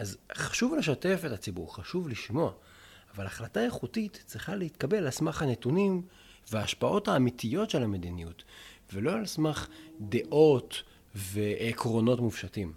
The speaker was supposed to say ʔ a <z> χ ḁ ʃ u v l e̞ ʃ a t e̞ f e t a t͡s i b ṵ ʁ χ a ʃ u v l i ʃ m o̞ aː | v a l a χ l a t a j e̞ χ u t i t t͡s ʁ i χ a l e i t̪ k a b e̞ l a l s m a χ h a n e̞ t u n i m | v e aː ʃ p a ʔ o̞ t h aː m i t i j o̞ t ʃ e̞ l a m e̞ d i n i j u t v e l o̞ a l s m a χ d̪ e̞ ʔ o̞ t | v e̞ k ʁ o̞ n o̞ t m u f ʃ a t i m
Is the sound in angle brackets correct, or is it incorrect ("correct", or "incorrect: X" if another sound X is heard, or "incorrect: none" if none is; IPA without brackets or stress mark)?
correct